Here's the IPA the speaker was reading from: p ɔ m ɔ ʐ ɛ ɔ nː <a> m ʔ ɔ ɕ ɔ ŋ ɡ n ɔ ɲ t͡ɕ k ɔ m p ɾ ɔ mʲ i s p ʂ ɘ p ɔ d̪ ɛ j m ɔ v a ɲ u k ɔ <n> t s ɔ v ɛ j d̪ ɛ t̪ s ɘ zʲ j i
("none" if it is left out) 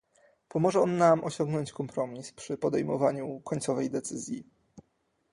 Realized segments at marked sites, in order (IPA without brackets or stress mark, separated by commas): a, ɲ